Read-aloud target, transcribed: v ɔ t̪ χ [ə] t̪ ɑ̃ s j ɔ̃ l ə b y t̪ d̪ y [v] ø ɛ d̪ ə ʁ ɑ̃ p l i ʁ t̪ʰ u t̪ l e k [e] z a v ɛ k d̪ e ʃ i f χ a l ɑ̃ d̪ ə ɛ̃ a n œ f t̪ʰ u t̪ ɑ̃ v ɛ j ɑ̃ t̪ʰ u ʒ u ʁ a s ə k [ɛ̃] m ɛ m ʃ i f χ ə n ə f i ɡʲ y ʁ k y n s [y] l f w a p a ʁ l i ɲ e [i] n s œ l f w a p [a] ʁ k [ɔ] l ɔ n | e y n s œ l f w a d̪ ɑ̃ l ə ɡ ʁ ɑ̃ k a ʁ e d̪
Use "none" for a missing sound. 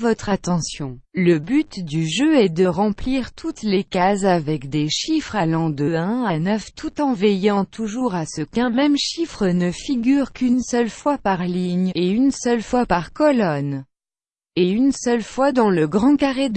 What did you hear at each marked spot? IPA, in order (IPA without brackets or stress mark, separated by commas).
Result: a, ʒ, a, ɛ̃, œ, y, a, ɔ